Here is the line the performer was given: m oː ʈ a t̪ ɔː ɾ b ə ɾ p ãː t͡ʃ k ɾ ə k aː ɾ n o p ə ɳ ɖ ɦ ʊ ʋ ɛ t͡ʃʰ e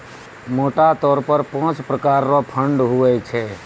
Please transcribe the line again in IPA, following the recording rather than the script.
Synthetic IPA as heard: m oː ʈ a t̪ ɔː ɾ p ə ɾ p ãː t͡ʃ p ɾ ə k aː ɾ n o pʰ ə ɳ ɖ ɦ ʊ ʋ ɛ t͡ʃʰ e